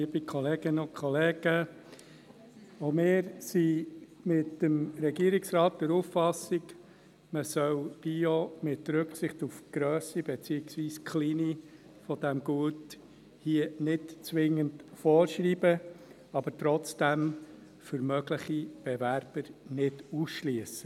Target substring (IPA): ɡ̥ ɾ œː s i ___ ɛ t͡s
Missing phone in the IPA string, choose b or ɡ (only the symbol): b